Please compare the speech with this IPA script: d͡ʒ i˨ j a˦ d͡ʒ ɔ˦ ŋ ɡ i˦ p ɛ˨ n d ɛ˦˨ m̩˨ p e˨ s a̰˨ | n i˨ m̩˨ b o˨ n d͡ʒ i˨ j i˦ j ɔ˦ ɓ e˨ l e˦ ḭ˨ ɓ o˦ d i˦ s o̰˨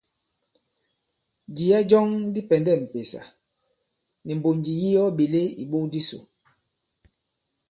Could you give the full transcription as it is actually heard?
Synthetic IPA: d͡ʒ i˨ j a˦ d͡ʒ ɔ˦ ŋ d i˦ p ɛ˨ n d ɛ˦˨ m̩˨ p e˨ s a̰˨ | n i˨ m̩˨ b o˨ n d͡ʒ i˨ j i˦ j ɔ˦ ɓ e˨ l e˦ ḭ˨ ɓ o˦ d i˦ s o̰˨